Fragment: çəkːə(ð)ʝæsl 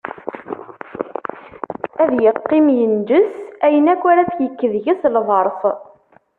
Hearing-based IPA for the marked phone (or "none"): ð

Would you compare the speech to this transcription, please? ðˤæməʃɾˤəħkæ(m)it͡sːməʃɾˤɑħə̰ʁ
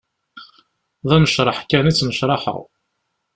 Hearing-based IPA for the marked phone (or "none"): n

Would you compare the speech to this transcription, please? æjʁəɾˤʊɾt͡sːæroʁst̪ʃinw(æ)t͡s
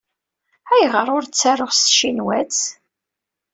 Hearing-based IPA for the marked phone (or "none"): æ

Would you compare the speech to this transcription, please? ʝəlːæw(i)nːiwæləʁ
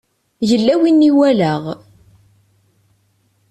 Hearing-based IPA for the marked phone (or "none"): i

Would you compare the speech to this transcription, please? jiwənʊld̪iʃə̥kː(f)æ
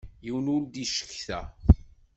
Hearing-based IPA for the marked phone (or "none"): θ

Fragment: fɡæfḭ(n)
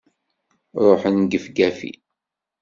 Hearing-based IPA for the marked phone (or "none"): none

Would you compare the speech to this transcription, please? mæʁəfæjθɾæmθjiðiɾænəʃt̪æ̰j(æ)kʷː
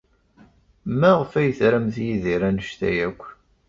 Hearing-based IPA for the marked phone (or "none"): æ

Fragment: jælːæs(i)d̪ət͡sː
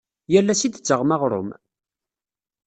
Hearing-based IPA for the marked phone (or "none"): i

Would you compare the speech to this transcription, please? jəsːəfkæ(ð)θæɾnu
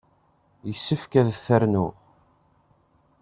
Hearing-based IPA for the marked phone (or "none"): ð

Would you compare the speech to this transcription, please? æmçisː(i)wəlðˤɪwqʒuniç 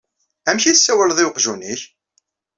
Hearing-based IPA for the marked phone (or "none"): æ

